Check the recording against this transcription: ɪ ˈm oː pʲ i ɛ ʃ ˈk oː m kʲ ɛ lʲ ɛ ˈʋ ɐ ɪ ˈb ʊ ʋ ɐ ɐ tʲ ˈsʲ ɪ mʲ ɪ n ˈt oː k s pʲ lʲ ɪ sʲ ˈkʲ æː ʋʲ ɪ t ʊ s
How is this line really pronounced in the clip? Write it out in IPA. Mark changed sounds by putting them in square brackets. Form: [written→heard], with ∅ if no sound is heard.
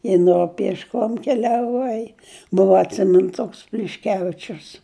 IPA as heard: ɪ [ˈm→ˈn] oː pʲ i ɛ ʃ ˈk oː m kʲ ɛ lʲ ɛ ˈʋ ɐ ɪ ˈb ʊ ʋ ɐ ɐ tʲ ˈsʲ ɪ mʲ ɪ n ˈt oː k s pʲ lʲ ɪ [sʲ→ʃʲ] ˈkʲ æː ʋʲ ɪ [t→t͡ʃʲ] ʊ s